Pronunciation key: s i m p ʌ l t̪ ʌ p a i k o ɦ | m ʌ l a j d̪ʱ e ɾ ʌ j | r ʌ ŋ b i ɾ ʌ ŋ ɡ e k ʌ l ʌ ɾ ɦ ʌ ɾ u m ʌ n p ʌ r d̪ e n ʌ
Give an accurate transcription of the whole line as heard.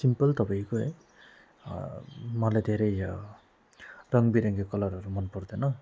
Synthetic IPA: s i m p ʌ l t̪ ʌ p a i k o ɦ | m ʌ l a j d̪ʱ e ɾ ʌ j | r ʌ ŋ b i ɾ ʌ ŋ ɡ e k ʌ l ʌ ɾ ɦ ʌ ɾ u m ʌ n p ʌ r d̪ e n ʌ